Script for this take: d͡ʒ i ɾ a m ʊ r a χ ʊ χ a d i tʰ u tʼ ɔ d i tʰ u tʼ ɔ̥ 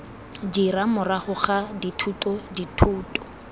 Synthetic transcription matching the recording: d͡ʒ i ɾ a m ʊ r a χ ʊ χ a d i tʰ u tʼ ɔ d i tʰ uː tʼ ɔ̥